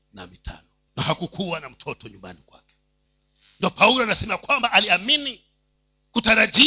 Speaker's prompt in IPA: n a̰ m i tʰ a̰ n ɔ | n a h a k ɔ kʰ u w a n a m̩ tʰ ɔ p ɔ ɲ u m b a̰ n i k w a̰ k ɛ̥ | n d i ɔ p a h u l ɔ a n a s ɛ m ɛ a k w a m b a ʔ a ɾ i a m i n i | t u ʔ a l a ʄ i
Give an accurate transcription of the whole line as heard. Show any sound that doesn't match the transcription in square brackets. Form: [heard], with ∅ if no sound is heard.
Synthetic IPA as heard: n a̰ m i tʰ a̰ n ɔ | n a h a k [u] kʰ u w a n a m̩ tʰ ɔ [t] ɔ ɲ u m b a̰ n i k w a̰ k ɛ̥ | n d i ɔ p a [∅] u l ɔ a n a s ɛ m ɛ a k w a m b a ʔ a [l] i a m i n i | [k] u [t] a [ɾ] a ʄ i